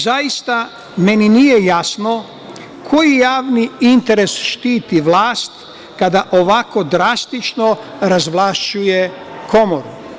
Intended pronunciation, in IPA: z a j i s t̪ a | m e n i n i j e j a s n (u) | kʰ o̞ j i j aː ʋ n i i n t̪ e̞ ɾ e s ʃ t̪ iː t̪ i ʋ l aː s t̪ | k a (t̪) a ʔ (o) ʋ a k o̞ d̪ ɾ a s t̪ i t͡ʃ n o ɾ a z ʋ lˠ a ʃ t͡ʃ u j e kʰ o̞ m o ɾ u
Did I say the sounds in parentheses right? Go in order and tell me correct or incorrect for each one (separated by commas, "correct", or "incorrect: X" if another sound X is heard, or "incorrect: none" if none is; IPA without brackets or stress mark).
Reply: incorrect: o, incorrect: d̪, correct